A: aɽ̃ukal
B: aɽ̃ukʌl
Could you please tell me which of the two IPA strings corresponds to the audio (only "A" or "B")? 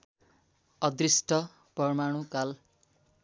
A